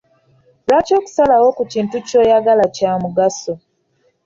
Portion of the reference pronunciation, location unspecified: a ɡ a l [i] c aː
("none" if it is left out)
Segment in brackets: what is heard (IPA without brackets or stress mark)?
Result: a